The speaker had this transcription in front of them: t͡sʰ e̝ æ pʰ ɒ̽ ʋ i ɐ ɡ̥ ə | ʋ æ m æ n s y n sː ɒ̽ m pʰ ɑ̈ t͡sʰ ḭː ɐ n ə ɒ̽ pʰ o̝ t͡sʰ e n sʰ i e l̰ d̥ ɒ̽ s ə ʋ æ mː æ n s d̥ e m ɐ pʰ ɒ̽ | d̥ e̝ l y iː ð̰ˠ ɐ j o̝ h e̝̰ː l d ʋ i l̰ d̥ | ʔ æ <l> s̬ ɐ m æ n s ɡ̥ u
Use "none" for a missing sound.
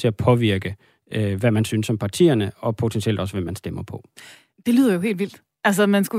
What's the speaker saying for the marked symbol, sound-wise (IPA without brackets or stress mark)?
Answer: l